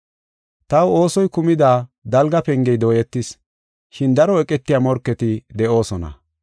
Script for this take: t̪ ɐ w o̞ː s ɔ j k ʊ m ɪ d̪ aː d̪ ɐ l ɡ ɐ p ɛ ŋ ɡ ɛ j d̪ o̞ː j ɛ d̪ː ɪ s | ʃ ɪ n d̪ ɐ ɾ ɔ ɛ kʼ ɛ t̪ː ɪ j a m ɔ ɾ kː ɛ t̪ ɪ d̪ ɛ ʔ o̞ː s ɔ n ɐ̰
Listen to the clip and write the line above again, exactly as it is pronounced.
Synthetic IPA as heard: t̪ ɐ w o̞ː s ɔ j k ʊ m ɪ d̪ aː d̪ ɐ l ɡ ɐ p ɛ ŋ ɡ ɛ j d̪ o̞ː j ɛ t̪ː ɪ s | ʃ ɪ n d̪ ɐ ɾ ɔ ɛ kʼ ɛ t̪ː ɪ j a m ɔ ɾ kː ɛ t̪ ɪ d̪ ɛ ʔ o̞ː s ɔ n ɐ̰